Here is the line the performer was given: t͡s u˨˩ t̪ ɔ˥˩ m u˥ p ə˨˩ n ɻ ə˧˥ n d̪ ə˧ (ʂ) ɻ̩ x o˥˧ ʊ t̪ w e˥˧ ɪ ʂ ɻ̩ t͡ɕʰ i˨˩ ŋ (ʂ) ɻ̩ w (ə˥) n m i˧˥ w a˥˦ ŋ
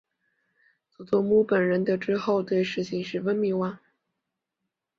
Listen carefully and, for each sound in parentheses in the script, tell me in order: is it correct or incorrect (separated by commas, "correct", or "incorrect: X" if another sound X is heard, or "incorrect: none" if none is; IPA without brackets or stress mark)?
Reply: incorrect: ʈ͡ʂ, correct, correct